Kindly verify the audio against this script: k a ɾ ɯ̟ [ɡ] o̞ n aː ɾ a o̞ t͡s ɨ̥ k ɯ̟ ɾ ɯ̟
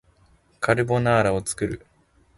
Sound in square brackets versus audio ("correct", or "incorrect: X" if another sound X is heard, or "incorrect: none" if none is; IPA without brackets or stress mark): incorrect: b